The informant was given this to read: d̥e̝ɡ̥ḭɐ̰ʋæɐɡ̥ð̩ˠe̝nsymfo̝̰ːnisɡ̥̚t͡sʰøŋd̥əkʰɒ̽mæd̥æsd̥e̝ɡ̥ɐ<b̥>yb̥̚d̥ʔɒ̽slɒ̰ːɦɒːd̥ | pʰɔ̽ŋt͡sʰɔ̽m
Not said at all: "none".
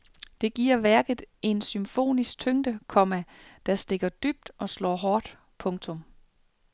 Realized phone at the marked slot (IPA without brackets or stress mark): d̥